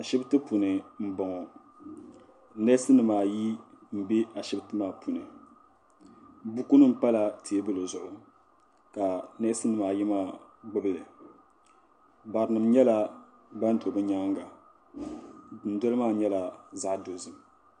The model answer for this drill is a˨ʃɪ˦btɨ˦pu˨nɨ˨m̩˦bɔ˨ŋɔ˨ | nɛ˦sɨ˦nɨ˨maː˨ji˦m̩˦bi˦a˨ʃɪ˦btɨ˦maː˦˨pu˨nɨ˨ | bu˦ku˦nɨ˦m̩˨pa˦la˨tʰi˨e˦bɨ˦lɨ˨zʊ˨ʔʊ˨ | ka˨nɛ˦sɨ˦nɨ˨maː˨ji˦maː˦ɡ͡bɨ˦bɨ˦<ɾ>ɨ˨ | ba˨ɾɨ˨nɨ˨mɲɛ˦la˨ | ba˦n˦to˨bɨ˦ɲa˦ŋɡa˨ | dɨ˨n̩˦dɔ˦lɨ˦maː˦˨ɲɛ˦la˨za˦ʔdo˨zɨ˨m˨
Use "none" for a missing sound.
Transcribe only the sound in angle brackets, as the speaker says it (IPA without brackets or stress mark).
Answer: l